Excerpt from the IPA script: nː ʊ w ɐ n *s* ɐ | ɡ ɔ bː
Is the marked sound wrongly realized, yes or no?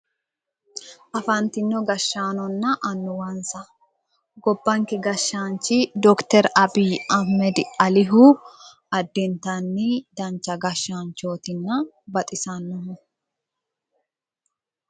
no